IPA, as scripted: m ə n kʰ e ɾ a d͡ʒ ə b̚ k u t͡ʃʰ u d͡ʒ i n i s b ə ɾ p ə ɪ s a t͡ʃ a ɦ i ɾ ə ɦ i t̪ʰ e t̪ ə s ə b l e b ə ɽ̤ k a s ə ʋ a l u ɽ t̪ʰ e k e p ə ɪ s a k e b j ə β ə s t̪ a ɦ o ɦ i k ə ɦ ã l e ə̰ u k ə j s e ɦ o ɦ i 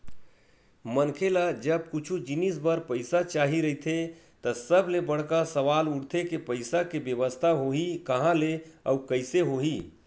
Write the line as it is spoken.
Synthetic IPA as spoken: m ə n kʰ e l a d͡ʒ ə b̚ k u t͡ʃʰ u d͡ʒ i n i s b ə ɾ p ə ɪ s a t͡ʃ a ɦ i ɾ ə ɦ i t̪ʰ e t̪ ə s ə b l e b ə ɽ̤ k a s ə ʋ a l u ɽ t̪ʰ e k e p ə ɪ s a k e b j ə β ə s t̪ʰ a ɦ o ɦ i k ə ɦ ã l e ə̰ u k ə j s e ɦ o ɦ i